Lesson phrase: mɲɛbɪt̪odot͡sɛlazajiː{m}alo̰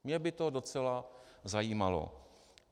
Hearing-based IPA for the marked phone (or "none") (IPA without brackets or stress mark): m